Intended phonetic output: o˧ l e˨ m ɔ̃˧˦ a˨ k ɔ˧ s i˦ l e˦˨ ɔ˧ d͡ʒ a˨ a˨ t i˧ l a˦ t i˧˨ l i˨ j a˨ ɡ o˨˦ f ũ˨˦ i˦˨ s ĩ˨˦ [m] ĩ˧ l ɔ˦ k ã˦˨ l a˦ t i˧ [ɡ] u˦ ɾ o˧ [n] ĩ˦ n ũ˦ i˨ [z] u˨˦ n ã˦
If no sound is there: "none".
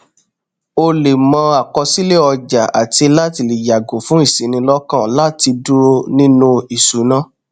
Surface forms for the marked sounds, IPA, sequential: n, d, n, s

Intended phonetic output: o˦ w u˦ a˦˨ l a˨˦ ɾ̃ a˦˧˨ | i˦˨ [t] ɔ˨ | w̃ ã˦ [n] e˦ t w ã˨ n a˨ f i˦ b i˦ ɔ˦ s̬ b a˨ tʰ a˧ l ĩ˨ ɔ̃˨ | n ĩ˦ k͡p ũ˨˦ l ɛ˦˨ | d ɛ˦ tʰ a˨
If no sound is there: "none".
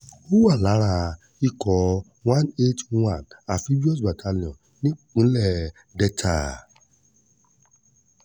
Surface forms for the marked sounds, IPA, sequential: k, n

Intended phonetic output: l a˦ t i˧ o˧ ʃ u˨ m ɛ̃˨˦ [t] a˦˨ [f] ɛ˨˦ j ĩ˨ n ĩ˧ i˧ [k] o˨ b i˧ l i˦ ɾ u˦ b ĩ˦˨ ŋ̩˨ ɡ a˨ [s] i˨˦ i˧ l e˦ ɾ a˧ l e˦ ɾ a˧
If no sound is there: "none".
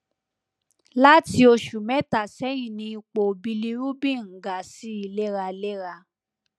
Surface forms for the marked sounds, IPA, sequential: t, s, k͡p, s

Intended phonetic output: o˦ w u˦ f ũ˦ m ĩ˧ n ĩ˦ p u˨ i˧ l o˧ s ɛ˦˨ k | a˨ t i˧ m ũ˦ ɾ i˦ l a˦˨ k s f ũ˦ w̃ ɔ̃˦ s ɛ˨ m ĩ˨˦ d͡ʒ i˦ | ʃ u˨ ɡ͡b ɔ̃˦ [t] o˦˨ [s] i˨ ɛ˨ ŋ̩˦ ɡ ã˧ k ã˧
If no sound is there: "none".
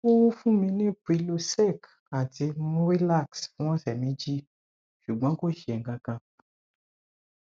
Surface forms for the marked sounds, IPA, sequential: k, ʃ

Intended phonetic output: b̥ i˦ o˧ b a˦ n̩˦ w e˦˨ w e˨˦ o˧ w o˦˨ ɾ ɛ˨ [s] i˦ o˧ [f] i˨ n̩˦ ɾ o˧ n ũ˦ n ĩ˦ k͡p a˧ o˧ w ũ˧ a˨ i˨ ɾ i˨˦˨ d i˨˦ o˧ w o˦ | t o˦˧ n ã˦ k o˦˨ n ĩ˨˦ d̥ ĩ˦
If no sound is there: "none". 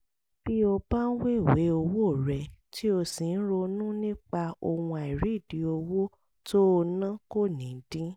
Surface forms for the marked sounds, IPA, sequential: t, s

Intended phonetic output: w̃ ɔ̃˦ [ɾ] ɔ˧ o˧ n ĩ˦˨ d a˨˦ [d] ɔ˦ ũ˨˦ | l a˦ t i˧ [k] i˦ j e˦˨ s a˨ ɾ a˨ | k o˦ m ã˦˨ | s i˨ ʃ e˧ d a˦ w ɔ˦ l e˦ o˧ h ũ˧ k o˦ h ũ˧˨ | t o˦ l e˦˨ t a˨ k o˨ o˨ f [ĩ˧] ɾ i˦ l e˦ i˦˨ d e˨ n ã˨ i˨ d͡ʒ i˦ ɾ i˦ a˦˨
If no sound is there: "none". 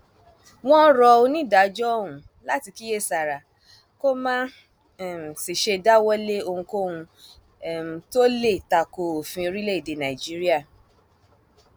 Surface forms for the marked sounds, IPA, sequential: ɾ, d͡ʒ, k, ĩ˧

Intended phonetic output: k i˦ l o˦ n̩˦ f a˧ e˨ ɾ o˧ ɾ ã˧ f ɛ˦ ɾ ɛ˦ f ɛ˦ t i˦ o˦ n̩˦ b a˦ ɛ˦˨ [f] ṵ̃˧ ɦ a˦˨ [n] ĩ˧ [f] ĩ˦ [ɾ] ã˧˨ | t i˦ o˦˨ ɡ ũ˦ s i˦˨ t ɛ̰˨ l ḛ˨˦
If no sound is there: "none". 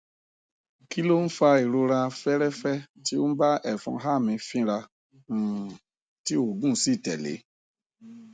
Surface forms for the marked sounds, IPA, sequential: f, m, f, ɾ

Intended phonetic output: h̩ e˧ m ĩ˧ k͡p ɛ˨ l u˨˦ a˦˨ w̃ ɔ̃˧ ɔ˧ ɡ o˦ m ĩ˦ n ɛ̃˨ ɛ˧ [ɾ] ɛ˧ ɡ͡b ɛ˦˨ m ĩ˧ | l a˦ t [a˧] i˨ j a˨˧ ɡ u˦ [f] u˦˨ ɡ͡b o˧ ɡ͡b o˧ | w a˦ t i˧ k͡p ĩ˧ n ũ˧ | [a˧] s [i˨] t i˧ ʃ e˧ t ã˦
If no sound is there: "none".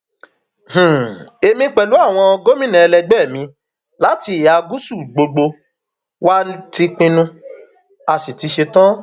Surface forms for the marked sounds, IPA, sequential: l, i˧, s, a˧, i˨

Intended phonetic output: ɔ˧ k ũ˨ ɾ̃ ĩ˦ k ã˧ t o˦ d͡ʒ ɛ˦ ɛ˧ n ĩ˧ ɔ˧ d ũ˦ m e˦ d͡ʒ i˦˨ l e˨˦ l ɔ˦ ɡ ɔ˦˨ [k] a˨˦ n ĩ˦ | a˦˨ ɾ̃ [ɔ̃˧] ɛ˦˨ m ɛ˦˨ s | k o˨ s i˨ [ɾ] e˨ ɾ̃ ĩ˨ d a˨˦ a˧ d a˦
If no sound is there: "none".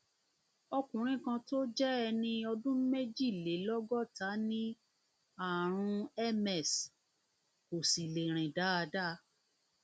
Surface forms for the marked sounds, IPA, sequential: t, ũ˧, l

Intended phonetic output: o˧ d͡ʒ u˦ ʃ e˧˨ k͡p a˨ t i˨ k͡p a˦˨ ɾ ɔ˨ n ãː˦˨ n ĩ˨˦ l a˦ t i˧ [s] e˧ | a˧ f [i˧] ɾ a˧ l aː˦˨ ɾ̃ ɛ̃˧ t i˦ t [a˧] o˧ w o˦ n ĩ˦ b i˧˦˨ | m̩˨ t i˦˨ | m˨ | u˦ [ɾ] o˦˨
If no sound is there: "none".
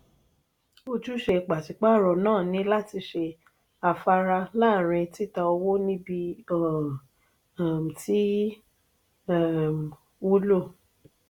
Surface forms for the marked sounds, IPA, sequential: ʃ, a˧, a˧, l

